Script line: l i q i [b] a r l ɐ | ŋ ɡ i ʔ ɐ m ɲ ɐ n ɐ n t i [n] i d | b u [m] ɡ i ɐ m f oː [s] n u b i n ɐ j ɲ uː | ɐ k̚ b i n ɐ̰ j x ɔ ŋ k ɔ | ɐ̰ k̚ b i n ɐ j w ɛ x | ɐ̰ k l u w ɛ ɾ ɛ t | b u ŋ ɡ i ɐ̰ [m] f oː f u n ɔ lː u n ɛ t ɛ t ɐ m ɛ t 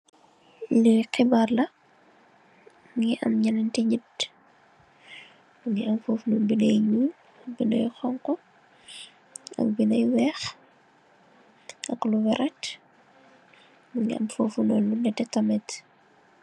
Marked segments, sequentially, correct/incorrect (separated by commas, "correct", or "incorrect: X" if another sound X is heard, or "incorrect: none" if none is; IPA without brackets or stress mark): correct, incorrect: ɲ, incorrect: ŋ, incorrect: f, correct